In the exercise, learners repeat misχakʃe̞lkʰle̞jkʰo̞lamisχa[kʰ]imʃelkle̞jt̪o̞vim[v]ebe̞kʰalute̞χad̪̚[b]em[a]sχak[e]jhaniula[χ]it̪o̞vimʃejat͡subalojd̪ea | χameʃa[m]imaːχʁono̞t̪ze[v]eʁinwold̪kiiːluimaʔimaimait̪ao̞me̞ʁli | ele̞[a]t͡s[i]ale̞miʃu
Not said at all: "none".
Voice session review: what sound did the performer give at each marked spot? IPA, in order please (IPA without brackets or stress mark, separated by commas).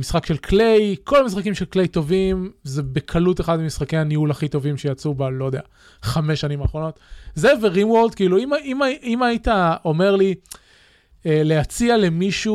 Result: k, z, m, i, e, χ, n, v, a, i